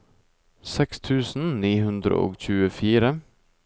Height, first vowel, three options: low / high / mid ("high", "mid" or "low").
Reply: mid